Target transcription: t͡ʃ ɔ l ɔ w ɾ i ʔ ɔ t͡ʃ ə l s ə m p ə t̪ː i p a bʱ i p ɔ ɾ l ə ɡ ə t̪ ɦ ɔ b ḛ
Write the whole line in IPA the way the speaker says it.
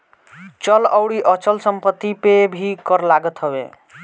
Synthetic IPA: t͡ʃ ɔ l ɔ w ɽ i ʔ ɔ t͡ʃ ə l s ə m p ə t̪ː i p e bʱ i k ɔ ɾ l a ɡ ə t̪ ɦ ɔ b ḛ